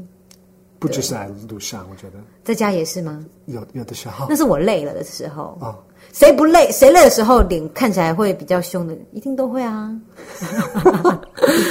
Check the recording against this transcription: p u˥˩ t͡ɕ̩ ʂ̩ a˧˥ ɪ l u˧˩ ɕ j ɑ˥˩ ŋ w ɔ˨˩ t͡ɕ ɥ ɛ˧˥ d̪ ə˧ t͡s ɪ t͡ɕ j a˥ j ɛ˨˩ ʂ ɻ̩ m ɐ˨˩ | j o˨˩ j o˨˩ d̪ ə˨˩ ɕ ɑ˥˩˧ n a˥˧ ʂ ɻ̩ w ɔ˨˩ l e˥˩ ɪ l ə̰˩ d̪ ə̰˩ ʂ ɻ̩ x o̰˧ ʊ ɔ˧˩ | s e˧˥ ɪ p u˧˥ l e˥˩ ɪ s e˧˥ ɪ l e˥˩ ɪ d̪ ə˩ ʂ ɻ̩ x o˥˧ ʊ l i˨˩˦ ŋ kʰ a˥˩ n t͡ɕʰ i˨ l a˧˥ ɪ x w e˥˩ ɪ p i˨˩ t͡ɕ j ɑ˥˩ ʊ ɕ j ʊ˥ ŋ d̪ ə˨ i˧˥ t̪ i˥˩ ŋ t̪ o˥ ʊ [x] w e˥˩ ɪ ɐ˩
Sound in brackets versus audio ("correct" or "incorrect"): correct